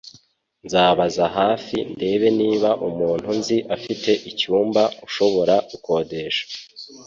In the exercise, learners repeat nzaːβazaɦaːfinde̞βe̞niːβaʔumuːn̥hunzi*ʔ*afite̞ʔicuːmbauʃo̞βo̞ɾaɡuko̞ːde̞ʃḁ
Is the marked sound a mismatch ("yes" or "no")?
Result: no